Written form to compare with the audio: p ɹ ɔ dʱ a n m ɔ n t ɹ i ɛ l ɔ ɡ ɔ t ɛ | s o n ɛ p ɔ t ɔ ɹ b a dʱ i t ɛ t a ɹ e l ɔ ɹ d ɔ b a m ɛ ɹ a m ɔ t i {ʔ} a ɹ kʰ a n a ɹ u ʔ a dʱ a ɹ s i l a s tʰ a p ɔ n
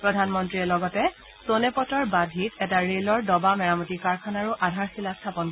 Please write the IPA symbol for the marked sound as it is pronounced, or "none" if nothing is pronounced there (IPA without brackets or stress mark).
k